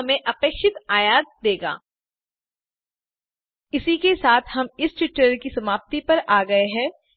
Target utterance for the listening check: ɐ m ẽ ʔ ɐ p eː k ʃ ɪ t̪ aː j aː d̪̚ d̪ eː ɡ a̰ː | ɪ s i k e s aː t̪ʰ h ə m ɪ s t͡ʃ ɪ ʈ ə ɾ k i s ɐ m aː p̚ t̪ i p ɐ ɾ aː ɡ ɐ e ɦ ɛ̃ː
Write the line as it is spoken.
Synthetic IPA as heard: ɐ m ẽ ʔ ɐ p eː k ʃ ɪ t̪ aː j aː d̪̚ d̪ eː ɡ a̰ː | ɪ s i k e s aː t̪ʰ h ɐ m ɪ s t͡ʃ ɪ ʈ ə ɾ k i s ɐ m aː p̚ t̪ i p ɐ ɾ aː ɡ ɐ e ɦ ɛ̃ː

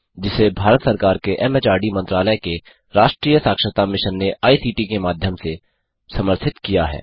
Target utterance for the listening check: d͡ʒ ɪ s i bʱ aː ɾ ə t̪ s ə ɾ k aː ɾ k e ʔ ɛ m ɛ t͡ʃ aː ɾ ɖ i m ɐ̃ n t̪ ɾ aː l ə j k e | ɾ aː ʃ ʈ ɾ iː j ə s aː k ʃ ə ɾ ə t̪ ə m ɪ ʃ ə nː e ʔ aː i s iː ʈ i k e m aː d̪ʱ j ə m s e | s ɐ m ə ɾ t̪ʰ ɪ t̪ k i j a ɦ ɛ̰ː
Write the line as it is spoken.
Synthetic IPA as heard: d͡ʒ ɪ s e bʱ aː ɾ ə t̪ s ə ɾ k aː ɾ k e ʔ ɛ m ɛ t͡ʃ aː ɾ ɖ i m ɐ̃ n t̪ ɾ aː l ə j k e | ɾ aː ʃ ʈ ɾ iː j ə s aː k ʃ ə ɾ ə t̪ a m ɪ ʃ ə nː e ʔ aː i s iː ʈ i k e m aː d̪ʱ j ə m s e | s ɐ m ə ɾ t̪ʰ ɪ t̪ k i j a ɦ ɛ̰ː

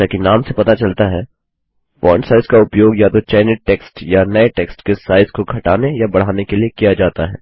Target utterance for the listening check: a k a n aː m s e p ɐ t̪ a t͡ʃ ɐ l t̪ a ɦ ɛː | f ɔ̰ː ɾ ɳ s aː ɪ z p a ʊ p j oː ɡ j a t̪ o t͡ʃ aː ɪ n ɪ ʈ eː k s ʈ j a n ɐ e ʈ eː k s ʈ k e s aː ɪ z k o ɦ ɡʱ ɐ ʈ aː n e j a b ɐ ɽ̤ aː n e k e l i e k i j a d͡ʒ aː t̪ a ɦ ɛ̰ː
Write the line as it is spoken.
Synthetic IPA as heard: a k i n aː m s e p ɐ t̪ a t͡ʃ ɐ l t̪ a ɦ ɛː | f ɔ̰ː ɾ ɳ s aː ɪ z k a ʊ p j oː ɡ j a t̪ o t͡ʃ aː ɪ n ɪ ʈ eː k s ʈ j a n ɐ e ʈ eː k s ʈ k e s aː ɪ z k o ɡʱ ɐ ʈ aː n e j a b ɐ ɽ̤ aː n e k e l i e k i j a d͡ʒ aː t̪ a ɦ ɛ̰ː

